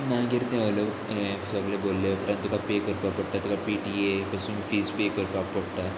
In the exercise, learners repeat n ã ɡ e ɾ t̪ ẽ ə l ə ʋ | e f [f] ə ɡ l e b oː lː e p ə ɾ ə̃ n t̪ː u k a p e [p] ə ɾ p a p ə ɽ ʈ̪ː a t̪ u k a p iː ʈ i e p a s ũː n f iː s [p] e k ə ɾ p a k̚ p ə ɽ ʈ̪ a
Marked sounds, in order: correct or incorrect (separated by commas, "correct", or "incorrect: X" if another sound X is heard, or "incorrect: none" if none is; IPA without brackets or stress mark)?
incorrect: s, incorrect: k, correct